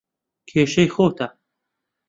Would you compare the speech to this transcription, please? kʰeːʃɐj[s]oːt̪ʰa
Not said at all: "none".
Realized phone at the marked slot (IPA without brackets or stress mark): x